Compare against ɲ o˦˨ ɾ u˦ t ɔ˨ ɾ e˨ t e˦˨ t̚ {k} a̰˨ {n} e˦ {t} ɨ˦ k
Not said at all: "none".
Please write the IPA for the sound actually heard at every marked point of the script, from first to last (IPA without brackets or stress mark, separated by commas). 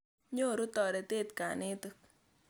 k, n, t